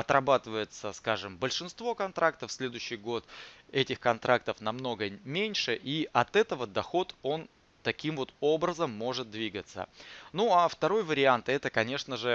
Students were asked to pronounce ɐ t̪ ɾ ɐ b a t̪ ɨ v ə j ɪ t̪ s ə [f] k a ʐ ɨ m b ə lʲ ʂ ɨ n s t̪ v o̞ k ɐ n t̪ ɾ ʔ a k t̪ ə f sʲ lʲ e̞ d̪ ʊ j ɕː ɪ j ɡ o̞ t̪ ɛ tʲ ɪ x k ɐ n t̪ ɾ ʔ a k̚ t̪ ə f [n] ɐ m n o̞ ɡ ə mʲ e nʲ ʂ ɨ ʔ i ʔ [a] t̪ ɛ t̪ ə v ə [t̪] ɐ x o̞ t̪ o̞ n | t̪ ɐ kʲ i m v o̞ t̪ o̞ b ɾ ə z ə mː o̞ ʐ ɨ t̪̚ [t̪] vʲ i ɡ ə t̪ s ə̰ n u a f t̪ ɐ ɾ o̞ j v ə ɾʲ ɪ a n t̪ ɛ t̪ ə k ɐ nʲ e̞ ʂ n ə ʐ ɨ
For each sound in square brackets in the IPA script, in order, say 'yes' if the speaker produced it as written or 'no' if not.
no, yes, no, no, no

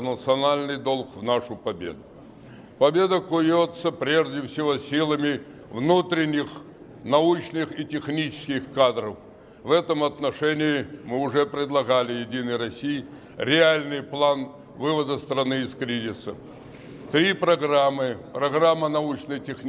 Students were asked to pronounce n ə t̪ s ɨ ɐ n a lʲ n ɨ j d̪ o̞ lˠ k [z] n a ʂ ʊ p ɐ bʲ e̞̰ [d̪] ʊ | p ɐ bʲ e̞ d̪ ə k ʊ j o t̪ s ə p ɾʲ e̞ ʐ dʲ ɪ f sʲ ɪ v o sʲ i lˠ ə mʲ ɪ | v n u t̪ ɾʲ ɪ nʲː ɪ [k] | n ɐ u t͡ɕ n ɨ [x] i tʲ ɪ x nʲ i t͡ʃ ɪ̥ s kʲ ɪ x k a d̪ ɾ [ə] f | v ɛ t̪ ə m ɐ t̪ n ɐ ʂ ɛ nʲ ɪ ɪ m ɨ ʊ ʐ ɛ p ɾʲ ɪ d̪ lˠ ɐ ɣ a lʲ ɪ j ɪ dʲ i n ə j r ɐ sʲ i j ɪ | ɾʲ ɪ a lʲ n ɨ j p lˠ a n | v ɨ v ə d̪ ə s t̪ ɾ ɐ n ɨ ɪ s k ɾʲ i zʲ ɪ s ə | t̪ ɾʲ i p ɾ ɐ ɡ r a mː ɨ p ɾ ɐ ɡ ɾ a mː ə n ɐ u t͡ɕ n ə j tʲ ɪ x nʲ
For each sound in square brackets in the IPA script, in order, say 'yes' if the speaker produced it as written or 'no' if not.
no, yes, no, yes, yes

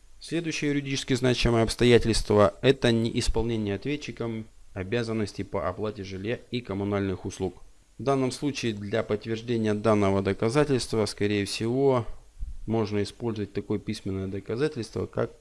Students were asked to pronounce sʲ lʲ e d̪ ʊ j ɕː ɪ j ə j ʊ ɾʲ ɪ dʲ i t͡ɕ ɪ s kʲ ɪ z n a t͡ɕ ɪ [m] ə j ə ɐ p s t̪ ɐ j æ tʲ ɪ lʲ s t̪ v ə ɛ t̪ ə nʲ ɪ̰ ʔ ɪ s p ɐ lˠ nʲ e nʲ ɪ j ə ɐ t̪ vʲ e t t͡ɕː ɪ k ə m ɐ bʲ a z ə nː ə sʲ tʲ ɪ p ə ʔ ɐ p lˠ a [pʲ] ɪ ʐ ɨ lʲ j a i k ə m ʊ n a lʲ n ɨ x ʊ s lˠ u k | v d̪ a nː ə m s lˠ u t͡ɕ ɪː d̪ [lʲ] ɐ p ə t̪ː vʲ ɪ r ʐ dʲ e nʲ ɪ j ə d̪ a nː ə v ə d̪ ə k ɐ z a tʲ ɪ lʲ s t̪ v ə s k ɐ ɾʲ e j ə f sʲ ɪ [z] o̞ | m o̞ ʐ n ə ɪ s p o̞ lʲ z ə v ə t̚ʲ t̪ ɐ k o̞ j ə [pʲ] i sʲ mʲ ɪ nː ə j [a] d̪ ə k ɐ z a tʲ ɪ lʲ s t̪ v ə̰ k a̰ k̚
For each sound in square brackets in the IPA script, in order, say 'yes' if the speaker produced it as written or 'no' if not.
yes, no, yes, no, yes, no

